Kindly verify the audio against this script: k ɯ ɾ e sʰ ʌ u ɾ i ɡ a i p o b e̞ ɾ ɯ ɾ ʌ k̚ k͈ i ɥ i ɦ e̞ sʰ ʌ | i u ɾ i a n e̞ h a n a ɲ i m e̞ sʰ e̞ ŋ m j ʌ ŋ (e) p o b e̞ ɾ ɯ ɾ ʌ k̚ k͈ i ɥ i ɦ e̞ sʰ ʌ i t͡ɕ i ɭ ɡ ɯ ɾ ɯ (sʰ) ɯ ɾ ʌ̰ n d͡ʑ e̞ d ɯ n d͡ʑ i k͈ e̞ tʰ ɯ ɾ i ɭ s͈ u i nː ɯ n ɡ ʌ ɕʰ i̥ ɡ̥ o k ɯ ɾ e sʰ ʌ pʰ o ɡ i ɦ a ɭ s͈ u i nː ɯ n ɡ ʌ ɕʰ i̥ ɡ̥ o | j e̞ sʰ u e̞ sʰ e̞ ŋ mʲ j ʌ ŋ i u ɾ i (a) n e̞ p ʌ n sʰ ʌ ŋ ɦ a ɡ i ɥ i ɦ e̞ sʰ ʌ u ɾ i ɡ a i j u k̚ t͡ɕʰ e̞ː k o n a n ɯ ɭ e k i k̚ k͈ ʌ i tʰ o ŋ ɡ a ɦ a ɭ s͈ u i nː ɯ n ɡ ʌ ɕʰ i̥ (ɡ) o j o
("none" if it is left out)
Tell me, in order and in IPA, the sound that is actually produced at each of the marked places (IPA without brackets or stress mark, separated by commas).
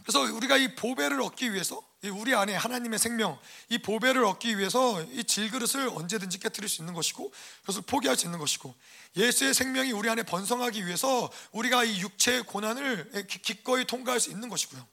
i, sʰ, a, ɡ